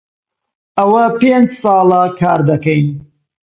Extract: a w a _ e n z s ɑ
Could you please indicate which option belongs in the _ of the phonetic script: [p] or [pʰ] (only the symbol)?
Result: p